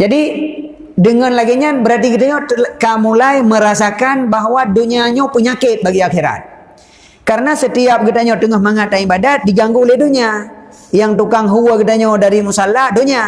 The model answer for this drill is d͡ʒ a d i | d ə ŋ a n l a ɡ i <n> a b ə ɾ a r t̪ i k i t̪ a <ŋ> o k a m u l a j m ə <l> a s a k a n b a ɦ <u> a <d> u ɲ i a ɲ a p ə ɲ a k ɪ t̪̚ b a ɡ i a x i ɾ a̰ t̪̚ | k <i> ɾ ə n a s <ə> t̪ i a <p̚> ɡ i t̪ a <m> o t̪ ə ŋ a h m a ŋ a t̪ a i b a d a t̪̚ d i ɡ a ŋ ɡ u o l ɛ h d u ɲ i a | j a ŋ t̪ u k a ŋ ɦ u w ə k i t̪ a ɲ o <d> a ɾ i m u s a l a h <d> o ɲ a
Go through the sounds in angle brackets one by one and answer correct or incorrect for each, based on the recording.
incorrect: ɲ, incorrect: ɲ, incorrect: ɾ, incorrect: w, correct, incorrect: a, correct, correct, incorrect: ɲ, correct, correct

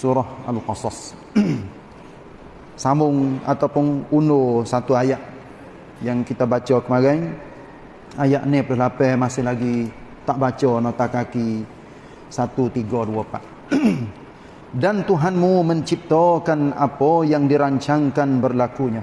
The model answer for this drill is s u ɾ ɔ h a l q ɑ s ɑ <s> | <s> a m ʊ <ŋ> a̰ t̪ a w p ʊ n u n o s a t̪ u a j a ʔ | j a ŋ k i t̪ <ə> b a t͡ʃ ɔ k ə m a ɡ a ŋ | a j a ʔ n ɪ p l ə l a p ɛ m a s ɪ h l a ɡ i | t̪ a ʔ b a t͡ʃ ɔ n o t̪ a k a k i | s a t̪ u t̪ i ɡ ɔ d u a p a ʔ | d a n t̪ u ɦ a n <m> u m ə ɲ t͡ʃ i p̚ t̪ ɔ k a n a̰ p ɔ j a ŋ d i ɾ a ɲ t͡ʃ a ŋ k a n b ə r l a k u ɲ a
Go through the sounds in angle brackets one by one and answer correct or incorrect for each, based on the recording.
correct, correct, correct, incorrect: a, correct

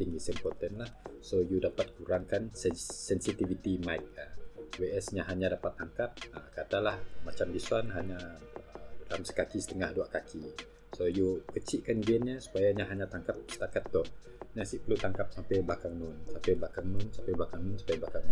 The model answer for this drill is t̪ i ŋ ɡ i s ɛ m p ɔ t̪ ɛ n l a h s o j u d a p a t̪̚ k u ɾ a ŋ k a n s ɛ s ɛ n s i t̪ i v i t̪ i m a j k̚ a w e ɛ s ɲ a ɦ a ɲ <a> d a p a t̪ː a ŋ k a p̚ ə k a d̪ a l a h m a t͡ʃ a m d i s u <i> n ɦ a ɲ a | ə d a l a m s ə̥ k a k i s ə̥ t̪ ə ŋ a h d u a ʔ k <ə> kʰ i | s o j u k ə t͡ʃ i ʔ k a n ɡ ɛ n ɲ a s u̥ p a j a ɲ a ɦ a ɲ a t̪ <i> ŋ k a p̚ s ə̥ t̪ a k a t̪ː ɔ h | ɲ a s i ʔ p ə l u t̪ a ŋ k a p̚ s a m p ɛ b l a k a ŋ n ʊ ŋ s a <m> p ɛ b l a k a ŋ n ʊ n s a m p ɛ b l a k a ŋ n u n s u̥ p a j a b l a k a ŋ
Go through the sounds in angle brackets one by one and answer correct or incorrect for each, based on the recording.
correct, incorrect: a, incorrect: a, incorrect: a, correct

